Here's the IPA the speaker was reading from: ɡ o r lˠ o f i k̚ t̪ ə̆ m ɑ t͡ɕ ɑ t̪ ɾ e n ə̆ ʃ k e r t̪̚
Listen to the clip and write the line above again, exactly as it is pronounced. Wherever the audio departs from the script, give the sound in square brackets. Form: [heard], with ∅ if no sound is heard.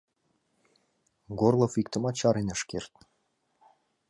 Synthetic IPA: ɡ o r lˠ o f i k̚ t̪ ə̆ m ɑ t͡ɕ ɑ [∅] ɾ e n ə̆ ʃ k e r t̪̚